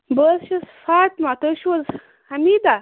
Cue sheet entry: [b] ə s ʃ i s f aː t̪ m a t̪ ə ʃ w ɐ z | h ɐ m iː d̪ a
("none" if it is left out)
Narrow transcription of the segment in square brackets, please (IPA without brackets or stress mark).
b